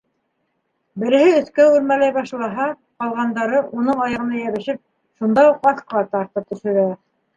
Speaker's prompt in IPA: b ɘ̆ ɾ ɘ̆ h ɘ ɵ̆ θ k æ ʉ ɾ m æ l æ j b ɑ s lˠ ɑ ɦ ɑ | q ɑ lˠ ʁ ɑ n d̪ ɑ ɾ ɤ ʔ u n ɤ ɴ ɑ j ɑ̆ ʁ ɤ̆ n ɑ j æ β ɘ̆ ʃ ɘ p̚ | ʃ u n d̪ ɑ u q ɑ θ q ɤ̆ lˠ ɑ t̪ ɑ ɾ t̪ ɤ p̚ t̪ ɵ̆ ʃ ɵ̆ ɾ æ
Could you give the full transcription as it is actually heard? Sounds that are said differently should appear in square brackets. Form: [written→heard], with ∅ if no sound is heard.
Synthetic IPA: b ɘ̆ ɾ ɘ̆ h ɘ ɵ̆ θ k æ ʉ ɾ m æ l æ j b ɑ [s→ʃ] lˠ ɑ ɦ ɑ | q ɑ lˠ ʁ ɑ n d̪ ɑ ɾ ɤ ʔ u n ɤ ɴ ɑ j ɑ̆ ʁ ɤ̆ n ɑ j æ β ɘ̆ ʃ ɘ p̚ | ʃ u n d̪ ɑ u q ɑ θ q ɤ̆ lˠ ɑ t̪ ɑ ɾ t̪ ɤ p̚ t̪ ɵ̆ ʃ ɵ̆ ɾ æ